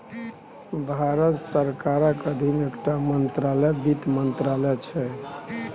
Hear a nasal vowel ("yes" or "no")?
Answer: no